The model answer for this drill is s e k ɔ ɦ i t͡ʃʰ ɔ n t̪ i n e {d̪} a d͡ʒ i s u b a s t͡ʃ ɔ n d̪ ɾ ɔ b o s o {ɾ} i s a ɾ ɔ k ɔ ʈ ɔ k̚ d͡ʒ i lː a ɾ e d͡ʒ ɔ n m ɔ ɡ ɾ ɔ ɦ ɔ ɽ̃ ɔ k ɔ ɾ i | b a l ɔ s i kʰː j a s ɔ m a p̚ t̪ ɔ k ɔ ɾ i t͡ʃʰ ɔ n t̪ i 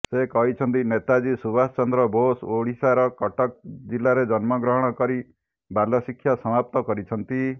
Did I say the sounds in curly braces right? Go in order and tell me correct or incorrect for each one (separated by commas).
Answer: incorrect, incorrect